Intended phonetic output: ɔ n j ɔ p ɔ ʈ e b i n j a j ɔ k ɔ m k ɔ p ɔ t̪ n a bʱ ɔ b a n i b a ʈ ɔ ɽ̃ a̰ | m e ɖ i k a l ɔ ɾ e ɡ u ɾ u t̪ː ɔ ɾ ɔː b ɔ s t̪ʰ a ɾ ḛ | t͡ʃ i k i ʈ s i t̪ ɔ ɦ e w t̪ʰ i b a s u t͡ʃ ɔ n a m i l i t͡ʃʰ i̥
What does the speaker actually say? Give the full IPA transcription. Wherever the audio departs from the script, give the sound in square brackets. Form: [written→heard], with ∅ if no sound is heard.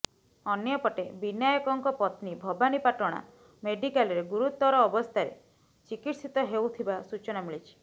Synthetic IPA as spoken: ɔ n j ɔ p ɔ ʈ e b i n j a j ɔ k ɔ [m→ŋ] k ɔ p ɔ t̪ n [a→i] bʱ ɔ b a n i [b→p] a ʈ ɔ ɽ̃ a̰ | m e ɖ i k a l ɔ ɾ e ɡ u ɾ u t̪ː ɔ ɾ ɔː b ɔ s t̪ʰ a ɾ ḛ | t͡ʃ i k i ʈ s i t̪ ɔ ɦ e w t̪ʰ i b a s u t͡ʃ ɔ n a m i [l→ɭ] i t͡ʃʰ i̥

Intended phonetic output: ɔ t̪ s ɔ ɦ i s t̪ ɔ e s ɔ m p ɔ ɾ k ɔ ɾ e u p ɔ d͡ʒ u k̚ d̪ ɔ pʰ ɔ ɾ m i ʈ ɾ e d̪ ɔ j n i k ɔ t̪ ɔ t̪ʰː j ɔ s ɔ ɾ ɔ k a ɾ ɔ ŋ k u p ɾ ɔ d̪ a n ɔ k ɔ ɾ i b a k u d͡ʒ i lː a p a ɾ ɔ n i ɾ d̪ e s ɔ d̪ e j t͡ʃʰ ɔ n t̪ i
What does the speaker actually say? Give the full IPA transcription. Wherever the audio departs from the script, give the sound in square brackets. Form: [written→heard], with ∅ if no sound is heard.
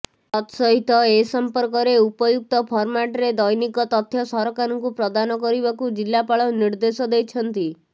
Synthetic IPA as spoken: ɔ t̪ s ɔ ɦ i [s→∅] t̪ ɔ e s ɔ m p ɔ ɾ k ɔ ɾ e u p ɔ d͡ʒ u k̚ [d̪→t̪] ɔ pʰ ɔ ɾ m [i→a] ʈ ɾ e d̪ ɔ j n i k ɔ t̪ ɔ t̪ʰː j ɔ s ɔ ɾ ɔ k a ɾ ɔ ŋ k u p ɾ ɔ d̪ a n ɔ k ɔ ɾ i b a k u d͡ʒ i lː a p a [ɾ→ɭ] ɔ n i ɾ d̪ e s ɔ d̪ e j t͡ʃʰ ɔ n t̪ i

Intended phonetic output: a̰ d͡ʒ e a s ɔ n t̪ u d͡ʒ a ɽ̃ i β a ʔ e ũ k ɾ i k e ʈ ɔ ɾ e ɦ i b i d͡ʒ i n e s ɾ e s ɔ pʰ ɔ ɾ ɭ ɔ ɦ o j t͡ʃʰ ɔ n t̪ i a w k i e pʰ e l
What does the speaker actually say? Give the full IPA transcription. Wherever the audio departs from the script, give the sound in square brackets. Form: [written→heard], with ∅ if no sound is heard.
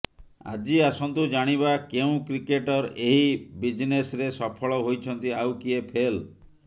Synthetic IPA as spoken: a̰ d͡ʒ [e→i] a s ɔ n t̪ u d͡ʒ a ɽ̃ i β a [ʔ→k] e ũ k ɾ i k e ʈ ɔ ɾ e ɦ i b i d͡ʒ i n e s ɾ e s ɔ pʰ ɔ [ɾ→∅] ɭ ɔ ɦ o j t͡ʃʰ ɔ n t̪ i a w k i e pʰ e l

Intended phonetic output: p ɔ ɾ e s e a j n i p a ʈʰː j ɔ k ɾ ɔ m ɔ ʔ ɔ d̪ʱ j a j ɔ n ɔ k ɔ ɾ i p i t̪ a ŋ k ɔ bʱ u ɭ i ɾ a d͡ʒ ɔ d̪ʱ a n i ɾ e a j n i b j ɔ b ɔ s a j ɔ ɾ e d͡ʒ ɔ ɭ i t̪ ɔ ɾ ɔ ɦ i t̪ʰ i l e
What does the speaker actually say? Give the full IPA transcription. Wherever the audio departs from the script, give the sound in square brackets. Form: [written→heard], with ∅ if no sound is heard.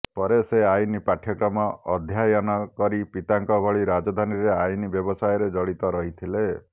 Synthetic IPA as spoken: p ɔ ɾ e s e a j n i p a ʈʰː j ɔ k ɾ ɔ m ɔ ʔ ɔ d̪ʱ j a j ɔ n ɔ k ɔ ɾ i p i t̪ a ŋ k ɔ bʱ [u→ɔ] ɭ i ɾ a d͡ʒ ɔ d̪ʱ a n i ɾ e a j n i b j ɔ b ɔ s a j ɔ ɾ e d͡ʒ ɔ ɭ i t̪ ɔ ɾ ɔ ɦ i t̪ʰ i l e

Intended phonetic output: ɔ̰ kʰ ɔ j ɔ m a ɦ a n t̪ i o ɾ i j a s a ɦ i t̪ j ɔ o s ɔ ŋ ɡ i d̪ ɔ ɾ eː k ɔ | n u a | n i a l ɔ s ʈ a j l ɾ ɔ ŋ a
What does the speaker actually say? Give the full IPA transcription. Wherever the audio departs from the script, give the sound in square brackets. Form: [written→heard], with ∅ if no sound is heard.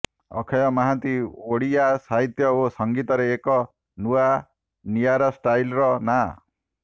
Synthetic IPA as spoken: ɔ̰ kʰ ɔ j ɔ m a ɦ a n t̪ i o [ɾ→ɽ] i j a s a ɦ i t̪ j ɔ o s ɔ ŋ ɡ i [d̪→t̪] ɔ ɾ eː k ɔ | n u a | n i a [l→ɾ] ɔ s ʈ a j l ɾ ɔ [ŋ→n] a

